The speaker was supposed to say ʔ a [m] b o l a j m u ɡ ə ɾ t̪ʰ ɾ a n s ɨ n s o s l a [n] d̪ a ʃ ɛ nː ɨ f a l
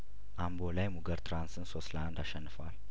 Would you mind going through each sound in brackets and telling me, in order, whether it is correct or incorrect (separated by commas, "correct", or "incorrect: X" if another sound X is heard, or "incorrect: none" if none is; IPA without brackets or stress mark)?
correct, correct